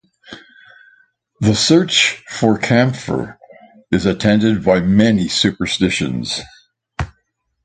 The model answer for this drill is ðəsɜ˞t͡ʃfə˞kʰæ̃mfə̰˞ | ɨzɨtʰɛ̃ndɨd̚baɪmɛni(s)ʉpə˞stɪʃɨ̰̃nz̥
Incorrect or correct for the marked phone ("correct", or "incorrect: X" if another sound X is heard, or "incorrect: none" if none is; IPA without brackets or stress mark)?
correct